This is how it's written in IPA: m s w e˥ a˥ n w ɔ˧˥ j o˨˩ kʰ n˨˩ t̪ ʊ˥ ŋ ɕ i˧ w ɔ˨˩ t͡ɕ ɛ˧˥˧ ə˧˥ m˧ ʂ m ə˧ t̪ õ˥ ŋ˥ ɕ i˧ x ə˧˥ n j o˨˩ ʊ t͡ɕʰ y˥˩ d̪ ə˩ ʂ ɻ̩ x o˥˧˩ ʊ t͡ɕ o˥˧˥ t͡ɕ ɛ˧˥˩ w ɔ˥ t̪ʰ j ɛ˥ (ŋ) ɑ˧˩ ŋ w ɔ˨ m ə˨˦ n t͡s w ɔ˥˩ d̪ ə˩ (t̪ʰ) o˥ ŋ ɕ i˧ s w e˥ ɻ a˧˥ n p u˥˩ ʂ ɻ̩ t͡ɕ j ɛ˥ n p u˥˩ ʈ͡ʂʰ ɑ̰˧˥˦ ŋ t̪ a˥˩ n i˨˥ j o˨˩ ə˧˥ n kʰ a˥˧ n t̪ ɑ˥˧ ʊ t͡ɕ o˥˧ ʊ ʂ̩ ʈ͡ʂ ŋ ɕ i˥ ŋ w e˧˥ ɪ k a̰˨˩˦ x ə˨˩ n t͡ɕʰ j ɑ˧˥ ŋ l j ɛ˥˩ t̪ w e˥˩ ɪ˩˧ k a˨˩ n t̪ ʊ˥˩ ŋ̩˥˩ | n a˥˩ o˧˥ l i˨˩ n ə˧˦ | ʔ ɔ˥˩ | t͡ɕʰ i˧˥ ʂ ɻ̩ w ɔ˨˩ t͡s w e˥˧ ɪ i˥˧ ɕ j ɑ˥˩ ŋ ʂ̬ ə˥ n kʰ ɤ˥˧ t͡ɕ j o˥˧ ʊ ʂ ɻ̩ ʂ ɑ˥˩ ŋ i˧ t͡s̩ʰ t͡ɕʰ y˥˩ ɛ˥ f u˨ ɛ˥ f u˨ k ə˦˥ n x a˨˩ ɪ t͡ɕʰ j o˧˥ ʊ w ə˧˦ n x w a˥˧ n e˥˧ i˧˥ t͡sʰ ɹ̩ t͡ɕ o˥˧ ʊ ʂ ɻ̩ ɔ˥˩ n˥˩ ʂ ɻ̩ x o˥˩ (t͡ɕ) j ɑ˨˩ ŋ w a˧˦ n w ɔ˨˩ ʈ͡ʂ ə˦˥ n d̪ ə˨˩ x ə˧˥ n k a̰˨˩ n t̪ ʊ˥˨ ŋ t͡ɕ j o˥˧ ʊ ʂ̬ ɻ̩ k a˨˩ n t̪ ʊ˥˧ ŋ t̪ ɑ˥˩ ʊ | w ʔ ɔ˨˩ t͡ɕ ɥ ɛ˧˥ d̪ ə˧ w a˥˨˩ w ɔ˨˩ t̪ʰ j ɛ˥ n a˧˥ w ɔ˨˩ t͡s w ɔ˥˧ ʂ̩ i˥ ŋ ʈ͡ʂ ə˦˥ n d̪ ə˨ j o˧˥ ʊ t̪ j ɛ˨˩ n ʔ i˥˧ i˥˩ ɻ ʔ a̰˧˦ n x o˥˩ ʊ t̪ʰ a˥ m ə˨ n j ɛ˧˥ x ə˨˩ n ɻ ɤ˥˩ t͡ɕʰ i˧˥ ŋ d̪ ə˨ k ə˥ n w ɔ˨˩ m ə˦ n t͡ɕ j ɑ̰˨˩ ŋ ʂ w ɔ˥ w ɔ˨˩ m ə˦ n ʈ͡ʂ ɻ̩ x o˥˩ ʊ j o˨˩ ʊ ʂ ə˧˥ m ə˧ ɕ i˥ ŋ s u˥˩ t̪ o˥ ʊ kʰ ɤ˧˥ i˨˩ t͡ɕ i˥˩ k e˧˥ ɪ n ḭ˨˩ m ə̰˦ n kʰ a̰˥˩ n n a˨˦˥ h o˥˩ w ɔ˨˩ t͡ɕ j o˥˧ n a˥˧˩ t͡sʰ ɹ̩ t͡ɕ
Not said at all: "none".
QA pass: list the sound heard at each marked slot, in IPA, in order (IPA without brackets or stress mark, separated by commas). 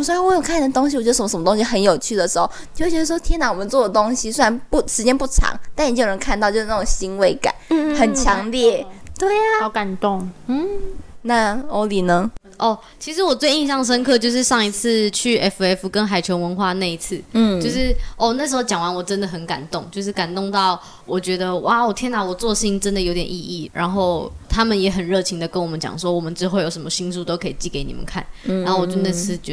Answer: n, t̪, t͡ɕ